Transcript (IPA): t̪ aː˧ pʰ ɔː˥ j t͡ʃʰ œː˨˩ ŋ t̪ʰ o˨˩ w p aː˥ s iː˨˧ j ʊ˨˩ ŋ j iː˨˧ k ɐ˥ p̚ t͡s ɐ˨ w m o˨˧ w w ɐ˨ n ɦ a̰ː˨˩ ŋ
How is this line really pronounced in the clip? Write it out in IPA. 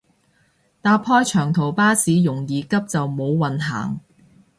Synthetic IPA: t̪ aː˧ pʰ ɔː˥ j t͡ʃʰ œː˨˩ ŋ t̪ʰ o˨˩ w p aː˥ s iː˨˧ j ʊ˨˩ ŋ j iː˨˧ k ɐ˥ p̚ t͡s ɐ˨ w m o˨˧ w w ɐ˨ n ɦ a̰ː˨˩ ŋ